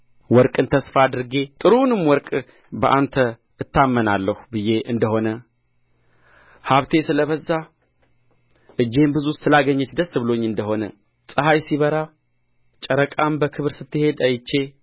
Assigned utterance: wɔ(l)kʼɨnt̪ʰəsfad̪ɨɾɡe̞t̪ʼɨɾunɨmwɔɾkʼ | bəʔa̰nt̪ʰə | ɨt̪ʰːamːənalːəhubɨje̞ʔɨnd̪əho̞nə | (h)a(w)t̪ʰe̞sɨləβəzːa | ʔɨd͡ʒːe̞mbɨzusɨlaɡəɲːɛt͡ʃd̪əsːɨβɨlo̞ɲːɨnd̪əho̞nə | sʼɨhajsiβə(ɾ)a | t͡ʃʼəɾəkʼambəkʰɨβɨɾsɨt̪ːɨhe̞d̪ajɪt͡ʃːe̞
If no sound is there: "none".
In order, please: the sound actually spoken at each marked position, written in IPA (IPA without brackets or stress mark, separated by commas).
ɾ, h, β, ɾ